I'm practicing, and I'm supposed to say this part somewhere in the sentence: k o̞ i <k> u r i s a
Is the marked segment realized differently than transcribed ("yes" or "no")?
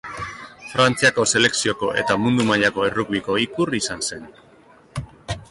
no